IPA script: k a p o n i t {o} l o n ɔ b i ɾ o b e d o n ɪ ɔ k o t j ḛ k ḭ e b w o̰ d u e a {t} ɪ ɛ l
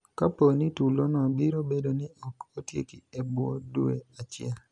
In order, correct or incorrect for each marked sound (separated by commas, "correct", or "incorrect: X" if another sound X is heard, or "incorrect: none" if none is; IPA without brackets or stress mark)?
incorrect: u, incorrect: t͡ʃ